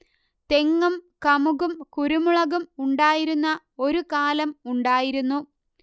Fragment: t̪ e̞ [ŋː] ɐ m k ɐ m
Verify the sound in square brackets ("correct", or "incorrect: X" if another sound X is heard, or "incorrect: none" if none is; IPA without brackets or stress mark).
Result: correct